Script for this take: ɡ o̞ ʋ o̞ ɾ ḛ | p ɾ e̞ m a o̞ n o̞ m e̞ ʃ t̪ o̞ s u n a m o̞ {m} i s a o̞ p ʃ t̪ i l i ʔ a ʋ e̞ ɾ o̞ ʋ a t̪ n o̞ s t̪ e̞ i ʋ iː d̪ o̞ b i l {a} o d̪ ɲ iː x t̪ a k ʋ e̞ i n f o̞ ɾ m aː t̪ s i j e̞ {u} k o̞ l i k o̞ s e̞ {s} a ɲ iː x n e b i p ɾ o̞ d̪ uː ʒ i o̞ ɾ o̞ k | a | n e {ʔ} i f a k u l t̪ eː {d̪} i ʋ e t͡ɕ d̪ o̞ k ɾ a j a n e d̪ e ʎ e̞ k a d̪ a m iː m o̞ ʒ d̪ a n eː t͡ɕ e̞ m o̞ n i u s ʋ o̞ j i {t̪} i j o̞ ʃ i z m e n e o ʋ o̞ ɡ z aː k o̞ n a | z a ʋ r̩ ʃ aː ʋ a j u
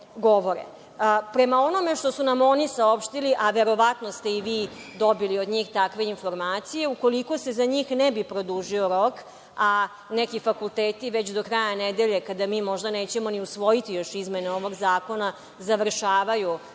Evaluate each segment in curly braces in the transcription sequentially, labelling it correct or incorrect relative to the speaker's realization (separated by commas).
incorrect, incorrect, correct, incorrect, incorrect, incorrect, correct